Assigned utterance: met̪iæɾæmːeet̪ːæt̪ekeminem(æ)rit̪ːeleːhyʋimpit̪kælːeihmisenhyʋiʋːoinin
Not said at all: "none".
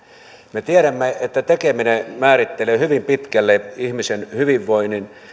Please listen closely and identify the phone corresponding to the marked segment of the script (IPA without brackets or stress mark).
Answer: æː